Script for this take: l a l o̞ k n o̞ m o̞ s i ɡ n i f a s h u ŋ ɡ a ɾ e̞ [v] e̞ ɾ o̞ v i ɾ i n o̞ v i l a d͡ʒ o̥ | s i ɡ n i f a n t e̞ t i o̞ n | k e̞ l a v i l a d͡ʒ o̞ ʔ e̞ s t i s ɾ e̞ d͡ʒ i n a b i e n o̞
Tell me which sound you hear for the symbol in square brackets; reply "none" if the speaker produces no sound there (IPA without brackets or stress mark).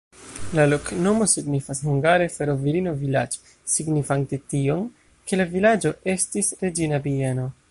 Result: f